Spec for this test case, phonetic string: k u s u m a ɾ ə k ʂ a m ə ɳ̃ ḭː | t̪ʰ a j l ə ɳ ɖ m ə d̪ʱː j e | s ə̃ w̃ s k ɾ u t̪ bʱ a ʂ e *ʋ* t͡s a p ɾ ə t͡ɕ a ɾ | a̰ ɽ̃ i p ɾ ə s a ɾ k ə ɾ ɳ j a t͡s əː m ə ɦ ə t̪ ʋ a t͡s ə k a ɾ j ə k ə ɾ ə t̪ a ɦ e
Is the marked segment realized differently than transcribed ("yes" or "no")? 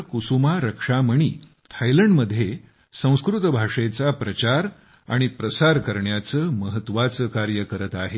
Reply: yes